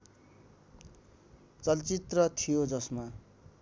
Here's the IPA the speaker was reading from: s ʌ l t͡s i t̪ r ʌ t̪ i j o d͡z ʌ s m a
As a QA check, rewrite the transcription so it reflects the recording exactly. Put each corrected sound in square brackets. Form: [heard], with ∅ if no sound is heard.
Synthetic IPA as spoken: [t͡s] ʌ l t͡s i t̪ r ʌ [t̪ʰ] i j o d͡z ʌ s m a